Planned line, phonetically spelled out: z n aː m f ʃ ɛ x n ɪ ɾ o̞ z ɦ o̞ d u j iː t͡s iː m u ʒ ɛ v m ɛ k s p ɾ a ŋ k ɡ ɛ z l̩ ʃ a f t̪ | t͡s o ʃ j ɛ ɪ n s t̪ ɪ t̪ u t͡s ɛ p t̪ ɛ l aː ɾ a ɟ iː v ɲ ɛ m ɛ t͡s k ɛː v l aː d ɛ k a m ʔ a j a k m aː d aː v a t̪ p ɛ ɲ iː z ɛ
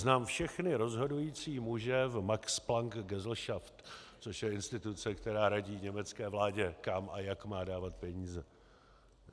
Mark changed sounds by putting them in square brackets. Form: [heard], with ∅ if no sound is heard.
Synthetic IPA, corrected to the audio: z n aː m f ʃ ɛ x n ɪ ɾ o̞ z ɦ o̞ d u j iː t͡s iː m u ʒ ɛ v m [a] k s p [l] a ŋ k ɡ ɛ z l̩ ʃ a f t̪ | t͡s o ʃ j ɛ ɪ n s t̪ ɪ t̪ u t͡s ɛ [k] t̪ ɛ [ɾ] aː ɾ a ɟ iː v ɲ ɛ m ɛ t͡s k ɛː v l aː [ɟ] ɛ k a m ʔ a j a k m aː d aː v a t̪ p ɛ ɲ iː z ɛ